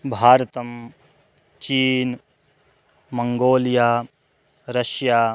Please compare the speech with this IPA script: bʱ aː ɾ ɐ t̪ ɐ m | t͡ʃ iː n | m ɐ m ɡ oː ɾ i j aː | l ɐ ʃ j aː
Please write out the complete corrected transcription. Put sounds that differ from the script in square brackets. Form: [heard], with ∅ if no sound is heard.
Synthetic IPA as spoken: bʱ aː ɾ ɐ t̪ ɐ m | t͡ʃ iː n | m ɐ [ŋ] ɡ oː [l] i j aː | [ɾ] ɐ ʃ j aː